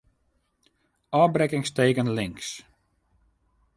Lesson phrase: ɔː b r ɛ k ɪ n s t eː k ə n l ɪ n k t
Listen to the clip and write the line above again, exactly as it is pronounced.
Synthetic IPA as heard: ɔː b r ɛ k ɪ ŋ s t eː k ə n l ɪ ŋ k s